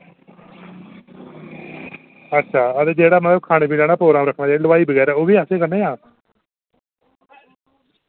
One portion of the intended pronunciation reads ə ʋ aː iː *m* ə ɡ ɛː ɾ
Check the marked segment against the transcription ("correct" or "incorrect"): incorrect